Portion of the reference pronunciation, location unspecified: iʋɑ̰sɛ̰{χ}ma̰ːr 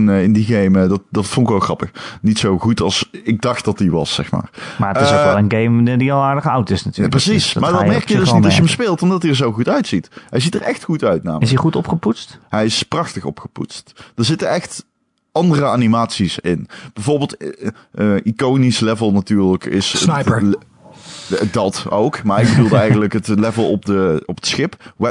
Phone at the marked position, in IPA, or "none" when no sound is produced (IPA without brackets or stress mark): x